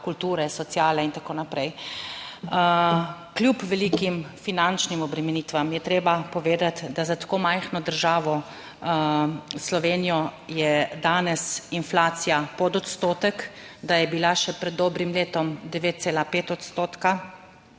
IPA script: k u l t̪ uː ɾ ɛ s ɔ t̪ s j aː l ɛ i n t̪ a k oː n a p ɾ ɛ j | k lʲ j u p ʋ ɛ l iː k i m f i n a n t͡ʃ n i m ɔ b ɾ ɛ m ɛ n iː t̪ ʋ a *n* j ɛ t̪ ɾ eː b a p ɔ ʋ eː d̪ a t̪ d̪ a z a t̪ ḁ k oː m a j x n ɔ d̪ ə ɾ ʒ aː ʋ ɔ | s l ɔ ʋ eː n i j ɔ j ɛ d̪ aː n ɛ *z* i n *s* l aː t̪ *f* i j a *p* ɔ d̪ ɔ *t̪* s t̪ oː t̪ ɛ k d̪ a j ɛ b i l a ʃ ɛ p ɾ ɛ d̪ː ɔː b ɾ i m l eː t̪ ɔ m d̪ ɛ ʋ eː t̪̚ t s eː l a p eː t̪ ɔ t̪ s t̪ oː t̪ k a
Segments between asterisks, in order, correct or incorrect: incorrect, incorrect, incorrect, incorrect, correct, correct

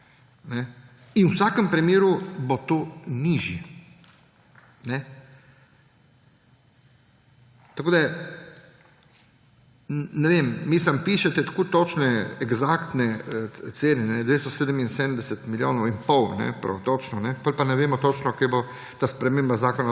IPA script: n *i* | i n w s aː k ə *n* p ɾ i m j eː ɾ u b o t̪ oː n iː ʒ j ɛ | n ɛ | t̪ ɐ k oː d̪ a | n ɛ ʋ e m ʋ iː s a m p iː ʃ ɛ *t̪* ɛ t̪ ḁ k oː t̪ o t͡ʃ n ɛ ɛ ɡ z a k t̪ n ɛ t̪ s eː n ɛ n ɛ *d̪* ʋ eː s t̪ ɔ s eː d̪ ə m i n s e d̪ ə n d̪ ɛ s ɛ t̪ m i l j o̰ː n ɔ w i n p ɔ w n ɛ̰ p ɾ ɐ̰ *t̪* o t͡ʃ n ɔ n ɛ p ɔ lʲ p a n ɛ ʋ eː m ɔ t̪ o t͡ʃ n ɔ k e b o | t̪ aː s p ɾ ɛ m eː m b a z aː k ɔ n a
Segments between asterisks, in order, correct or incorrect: incorrect, incorrect, correct, correct, correct

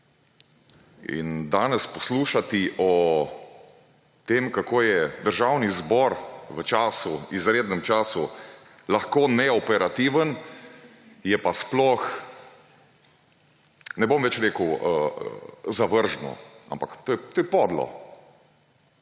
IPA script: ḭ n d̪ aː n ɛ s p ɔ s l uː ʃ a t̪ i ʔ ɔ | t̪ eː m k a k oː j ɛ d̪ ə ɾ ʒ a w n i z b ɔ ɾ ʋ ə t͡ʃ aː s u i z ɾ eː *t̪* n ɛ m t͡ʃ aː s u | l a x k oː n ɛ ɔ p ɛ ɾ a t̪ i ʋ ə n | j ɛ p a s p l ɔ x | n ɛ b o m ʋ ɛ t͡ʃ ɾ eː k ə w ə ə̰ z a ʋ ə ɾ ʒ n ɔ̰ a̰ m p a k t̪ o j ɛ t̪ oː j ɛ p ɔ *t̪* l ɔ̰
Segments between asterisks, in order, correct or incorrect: incorrect, incorrect

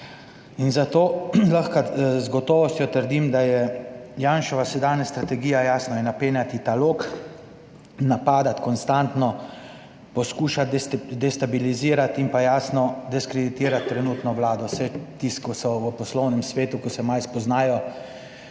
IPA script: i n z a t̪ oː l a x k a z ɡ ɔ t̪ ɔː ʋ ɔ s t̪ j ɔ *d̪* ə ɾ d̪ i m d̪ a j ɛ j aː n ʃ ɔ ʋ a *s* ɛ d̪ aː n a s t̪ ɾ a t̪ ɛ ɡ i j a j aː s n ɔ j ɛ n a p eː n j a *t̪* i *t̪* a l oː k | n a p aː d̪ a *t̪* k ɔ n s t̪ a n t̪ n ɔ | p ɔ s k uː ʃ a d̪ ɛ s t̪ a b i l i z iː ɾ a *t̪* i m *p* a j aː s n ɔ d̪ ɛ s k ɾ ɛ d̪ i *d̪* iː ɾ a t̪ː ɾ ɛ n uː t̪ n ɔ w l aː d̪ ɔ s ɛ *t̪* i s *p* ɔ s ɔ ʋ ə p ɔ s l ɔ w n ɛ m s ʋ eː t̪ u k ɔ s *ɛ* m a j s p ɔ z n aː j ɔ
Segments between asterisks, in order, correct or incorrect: incorrect, correct, correct, correct, correct, correct, correct, incorrect, correct, incorrect, correct

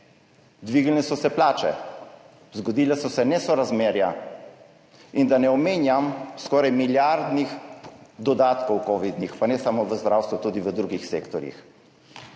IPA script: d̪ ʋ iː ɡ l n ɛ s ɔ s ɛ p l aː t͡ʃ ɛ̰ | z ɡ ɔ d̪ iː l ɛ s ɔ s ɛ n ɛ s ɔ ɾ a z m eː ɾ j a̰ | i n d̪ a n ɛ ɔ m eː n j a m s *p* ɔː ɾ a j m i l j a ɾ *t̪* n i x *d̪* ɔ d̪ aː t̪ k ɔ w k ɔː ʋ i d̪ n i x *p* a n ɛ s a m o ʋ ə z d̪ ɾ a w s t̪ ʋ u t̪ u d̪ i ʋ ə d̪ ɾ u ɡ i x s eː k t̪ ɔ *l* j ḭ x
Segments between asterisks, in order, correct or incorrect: incorrect, incorrect, correct, correct, incorrect

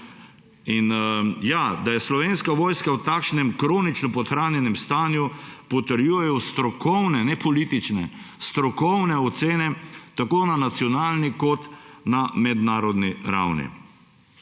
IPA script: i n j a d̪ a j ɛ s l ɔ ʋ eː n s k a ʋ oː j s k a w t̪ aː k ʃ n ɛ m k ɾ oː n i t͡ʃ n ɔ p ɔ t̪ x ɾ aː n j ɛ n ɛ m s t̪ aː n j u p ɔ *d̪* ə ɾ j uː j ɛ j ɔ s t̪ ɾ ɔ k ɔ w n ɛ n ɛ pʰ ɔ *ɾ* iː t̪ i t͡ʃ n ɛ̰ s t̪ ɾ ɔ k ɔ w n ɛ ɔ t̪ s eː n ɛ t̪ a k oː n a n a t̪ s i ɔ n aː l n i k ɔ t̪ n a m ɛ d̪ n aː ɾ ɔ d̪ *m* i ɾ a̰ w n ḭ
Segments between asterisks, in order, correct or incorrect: incorrect, incorrect, incorrect

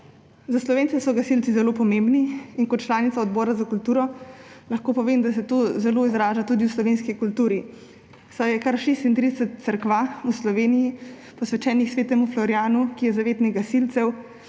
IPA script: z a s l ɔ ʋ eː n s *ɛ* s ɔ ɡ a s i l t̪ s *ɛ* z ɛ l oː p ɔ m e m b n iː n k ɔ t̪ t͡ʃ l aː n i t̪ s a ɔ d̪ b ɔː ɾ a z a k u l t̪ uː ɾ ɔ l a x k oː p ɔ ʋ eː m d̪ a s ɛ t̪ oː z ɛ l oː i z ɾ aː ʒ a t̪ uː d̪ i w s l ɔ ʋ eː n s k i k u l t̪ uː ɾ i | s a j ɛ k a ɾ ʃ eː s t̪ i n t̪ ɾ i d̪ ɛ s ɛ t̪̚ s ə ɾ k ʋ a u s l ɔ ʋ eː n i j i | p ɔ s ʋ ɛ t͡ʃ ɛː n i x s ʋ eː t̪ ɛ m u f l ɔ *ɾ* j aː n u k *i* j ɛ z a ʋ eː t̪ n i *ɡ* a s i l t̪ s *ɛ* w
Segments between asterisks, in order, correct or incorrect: correct, incorrect, correct, correct, correct, correct

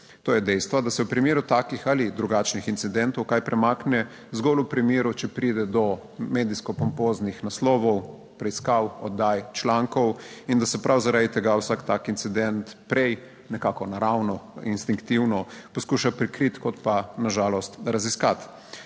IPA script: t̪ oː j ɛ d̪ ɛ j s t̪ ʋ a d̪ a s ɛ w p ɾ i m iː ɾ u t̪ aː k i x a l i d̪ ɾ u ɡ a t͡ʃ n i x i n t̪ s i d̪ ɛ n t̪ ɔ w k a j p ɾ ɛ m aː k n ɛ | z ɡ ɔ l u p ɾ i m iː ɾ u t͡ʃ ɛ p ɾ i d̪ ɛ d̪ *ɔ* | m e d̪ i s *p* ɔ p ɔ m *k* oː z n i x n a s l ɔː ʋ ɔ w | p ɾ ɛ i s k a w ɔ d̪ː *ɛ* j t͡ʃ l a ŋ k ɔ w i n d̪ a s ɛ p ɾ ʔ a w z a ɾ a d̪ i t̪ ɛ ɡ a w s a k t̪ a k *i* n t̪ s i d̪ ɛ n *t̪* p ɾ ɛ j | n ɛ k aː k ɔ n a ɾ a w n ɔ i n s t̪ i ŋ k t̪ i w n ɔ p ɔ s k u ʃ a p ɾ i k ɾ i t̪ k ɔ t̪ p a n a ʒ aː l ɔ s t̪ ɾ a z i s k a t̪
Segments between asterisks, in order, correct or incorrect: correct, incorrect, incorrect, incorrect, correct, correct

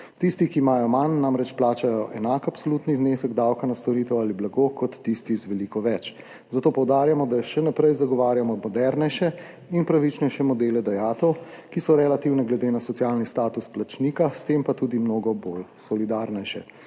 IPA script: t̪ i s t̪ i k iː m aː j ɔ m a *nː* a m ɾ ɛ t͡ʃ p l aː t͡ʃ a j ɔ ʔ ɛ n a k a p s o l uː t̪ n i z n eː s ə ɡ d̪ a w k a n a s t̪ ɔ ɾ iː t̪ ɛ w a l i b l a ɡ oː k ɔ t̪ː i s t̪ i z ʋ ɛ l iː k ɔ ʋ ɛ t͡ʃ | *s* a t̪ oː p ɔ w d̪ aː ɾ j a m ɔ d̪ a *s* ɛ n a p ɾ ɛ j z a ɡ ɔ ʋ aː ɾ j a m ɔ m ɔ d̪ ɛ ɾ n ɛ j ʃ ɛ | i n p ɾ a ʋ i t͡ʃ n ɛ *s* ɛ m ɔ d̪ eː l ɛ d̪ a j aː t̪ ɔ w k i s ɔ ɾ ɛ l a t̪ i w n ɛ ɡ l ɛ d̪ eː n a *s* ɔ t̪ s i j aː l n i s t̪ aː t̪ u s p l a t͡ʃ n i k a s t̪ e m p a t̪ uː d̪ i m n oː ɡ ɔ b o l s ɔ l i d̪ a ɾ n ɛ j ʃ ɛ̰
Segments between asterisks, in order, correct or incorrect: correct, incorrect, incorrect, incorrect, correct

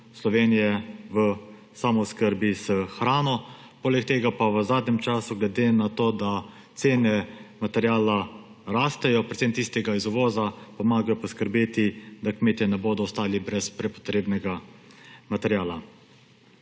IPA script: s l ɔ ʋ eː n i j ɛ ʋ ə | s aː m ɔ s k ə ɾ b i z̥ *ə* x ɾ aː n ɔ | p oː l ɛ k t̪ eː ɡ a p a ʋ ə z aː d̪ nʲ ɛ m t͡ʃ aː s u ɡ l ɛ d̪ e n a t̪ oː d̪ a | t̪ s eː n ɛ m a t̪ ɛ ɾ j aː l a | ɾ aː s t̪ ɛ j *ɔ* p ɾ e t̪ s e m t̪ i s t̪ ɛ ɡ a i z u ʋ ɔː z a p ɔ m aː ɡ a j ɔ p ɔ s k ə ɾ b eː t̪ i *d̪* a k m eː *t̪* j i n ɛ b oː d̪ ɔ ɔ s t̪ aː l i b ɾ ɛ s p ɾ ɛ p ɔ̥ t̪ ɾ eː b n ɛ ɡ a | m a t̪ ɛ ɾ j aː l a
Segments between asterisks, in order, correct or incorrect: correct, correct, correct, correct

